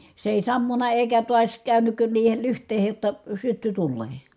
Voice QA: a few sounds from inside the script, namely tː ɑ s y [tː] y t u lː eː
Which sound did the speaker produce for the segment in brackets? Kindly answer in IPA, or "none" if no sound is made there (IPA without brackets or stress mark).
tː